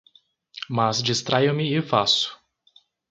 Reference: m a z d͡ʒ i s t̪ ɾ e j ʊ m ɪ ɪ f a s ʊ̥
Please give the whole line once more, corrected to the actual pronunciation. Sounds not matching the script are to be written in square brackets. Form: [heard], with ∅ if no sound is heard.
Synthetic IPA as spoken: m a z d͡ʒ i s t̪ ɾ [a] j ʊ m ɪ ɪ f a s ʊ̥